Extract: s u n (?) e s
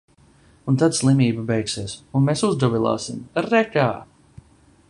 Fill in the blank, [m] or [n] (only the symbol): m